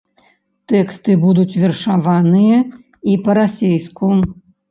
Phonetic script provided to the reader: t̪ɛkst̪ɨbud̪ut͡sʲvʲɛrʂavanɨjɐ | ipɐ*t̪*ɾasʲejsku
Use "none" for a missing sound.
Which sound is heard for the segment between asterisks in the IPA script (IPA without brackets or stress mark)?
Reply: none